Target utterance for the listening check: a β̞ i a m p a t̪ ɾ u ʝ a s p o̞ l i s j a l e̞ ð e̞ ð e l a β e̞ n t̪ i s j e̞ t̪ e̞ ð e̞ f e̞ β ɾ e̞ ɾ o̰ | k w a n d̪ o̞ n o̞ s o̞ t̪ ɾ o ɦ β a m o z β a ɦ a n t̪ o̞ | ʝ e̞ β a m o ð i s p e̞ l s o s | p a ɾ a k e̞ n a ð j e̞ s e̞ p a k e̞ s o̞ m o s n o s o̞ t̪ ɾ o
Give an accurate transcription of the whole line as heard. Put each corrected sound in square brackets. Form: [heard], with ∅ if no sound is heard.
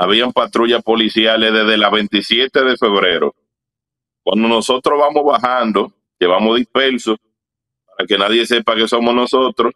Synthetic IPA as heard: a β̞ i a m p a t̪ ɾ u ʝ a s p o̞ l i s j a l e̞ ð e̞ ð e l a β e̞ n t̪ i s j e̞ t̪ e̞ ð e̞ f e̞ β ɾ e̞ ɾ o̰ | k w a n d̪ o̞ n o̞ s o̞ t̪ ɾ o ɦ β a m o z β a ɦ a n [d̪] o̞ | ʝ e̞ β a m o ð i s p e̞ l s o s | p a ɾ a k e̞ n a ð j e̞ s e̞ p a k e̞ s o̞ m o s n o s o̞ t̪ ɾ o